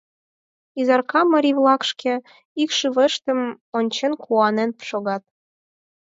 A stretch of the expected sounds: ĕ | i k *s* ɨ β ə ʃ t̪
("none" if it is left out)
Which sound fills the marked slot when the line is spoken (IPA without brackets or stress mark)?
ʃ